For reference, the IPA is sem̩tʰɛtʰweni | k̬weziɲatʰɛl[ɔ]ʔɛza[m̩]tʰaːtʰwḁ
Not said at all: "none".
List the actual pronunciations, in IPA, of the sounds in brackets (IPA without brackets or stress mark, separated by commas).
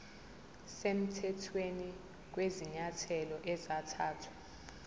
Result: ɔ, none